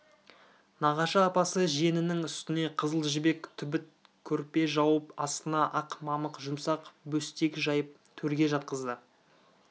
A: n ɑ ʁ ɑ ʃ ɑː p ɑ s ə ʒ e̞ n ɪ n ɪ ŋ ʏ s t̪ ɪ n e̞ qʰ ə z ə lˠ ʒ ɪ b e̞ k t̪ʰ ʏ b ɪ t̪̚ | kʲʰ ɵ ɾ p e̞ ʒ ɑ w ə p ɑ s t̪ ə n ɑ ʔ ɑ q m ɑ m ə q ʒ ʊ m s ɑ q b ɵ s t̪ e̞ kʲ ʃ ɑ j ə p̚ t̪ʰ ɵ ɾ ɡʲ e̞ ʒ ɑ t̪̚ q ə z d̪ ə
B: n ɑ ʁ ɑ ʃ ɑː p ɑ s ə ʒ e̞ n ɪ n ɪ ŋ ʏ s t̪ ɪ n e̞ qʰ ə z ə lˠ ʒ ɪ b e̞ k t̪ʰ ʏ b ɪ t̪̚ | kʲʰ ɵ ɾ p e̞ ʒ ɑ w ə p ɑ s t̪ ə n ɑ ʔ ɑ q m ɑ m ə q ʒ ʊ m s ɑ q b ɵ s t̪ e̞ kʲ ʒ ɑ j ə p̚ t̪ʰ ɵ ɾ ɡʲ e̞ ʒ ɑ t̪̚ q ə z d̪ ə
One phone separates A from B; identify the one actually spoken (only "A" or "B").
B